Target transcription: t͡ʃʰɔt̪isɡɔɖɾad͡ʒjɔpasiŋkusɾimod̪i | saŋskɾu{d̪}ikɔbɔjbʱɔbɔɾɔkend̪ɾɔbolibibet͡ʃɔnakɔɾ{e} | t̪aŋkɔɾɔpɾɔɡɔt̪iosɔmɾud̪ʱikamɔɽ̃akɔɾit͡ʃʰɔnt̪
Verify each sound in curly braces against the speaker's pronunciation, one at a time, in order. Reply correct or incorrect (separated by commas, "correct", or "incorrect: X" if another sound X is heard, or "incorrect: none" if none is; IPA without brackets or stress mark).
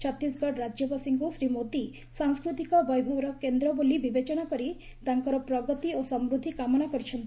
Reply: incorrect: t̪, incorrect: i